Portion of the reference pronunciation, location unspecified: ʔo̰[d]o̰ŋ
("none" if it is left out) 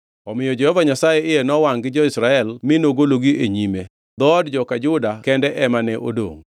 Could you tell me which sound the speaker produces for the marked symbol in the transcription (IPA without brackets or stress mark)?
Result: d